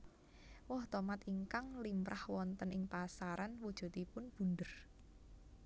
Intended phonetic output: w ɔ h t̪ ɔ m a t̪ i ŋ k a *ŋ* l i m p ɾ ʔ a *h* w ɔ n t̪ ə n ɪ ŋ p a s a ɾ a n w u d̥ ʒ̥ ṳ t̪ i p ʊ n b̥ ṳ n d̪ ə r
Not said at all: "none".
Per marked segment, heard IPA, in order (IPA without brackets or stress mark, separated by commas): ŋ, h